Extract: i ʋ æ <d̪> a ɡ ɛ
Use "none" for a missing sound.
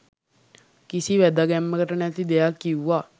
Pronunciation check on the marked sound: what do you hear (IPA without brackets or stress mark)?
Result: d̪